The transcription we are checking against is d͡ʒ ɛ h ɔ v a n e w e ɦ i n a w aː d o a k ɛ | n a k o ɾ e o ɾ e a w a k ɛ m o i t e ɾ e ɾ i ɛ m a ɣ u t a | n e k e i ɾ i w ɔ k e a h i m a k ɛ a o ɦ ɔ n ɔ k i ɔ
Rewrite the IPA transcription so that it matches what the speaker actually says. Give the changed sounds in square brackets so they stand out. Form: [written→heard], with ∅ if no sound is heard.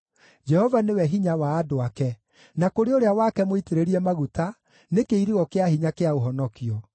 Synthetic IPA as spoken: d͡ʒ ɛ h ɔ v a n e w [e→ɛ] ɦ i [n→ɲ] a w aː d o a k ɛ | n a k o ɾ e o ɾ e a w a k ɛ m o i t e ɾ e ɾ i ɛ m a ɣ u t a | n e k e i ɾ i [w→ɣ] ɔ k e a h i [m→ɲ] a k [ɛ→e] a o ɦ ɔ n ɔ k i ɔ

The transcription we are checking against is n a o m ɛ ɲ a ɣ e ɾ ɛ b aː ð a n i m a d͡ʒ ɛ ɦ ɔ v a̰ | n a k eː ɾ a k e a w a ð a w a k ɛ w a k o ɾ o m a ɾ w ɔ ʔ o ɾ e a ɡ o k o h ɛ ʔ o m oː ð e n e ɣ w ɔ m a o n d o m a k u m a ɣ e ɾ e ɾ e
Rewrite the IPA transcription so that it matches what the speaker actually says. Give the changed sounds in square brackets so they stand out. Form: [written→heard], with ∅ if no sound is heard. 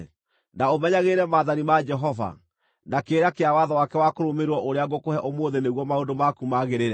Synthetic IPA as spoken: n a o m ɛ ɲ a ɣ e ɾ ɛ [b→m] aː ð a n i m a d͡ʒ ɛ ɦ ɔ v a̰ | n a k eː ɾ a k e a w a ð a w a k ɛ w a k o ɾ o m [a→e] ɾ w ɔ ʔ o ɾ e a ɡ o k o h ɛ ʔ o m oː ð e n e ɣ w ɔ m a o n d o m a k u m a ɣ e ɾ e ɾ [e→ɛ]

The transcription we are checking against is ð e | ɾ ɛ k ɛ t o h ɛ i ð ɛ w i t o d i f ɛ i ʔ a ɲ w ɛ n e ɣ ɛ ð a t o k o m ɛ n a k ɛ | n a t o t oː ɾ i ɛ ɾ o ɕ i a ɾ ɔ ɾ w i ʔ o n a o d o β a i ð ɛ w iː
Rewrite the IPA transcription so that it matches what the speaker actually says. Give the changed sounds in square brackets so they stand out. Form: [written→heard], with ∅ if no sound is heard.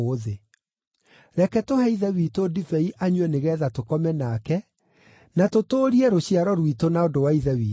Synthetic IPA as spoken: ð e | ɾ ɛ k ɛ t o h ɛ i ð ɛ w i t o d i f ɛ i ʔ a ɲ w ɛ n e ɣ ɛ ð a t o k [o→ɔ] m ɛ n a k ɛ | n a t o t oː ɾ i ɛ ɾ o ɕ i a ɾ ɔ ɾ w i [ʔ→t] o n a o d o [β→w] a i ð ɛ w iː

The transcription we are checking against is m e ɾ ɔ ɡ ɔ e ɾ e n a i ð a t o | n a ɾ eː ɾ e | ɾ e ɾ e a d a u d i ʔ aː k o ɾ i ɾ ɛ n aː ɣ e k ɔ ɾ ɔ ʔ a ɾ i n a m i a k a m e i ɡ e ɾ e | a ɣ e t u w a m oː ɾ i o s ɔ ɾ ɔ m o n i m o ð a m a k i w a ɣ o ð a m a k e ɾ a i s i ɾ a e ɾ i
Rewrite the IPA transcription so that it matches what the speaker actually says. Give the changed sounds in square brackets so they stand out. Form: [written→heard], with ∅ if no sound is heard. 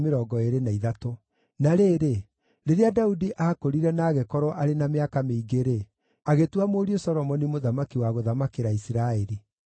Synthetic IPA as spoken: m e ɾ ɔ ɡ ɔ e ɾ e n a i ð a t o | n a ɾ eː ɾ e | ɾ e ɾ e a d a u d i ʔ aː k o ɾ i ɾ ɛ n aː ɣ e k ɔ ɾ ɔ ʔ a ɾ [i→e] n a m [i→e] a k a m e i ɡ e ɾ e | a ɣ e t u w a m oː ɾ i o s ɔ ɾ ɔ m [o→ɔ] n i m o ð a m a k i w a ɣ o ð a m a k e ɾ a i s i ɾ a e ɾ i

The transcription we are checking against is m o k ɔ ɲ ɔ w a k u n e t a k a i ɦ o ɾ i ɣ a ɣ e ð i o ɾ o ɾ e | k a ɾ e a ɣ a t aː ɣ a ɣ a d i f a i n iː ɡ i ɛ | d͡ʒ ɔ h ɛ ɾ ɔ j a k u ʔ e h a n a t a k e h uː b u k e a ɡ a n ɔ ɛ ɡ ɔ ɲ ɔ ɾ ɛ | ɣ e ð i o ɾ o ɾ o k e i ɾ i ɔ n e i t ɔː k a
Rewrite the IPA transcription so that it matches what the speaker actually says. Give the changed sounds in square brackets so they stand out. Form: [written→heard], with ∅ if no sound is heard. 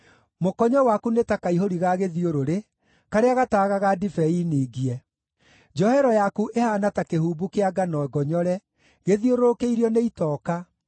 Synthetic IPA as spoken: m o k ɔ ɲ ɔ w a k u n e t a k a i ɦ o ɾ i ɣ a ɣ e ð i o ɾ o ɾ e | k a ɾ e a ɣ a t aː ɣ a ɣ a d i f [a→ɛ] i n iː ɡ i ɛ | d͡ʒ ɔ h ɛ ɾ ɔ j a k u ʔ e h a n a t a k e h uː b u k e a ɡ a n ɔ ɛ ɡ ɔ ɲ ɔ ɾ ɛ | ɣ e ð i o ɾ o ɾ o k e i ɾ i ɔ n e i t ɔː k a

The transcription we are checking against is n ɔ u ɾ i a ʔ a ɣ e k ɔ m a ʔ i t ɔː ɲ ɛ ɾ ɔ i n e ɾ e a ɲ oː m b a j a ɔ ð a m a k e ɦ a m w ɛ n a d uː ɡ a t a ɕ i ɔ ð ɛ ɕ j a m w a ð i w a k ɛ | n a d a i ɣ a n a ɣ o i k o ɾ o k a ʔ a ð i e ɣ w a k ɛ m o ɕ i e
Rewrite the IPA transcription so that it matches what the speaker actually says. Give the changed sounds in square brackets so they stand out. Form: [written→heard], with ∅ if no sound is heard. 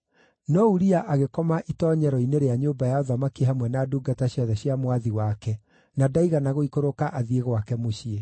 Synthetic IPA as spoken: n ɔ u ɾ i a ʔ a ɣ e k ɔ m a ʔ i t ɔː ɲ ɛ ɾ ɔ i n e ɾ e a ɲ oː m b a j a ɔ ð a m a k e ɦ a m w ɛ n a d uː ɡ a t a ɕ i ɔ ð ɛ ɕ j a m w a ð i w a k ɛ | n a d a i ɣ a n a ɣ o i k o ɾ o k a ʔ a ð i e ɣ w a k ɛ m o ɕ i e

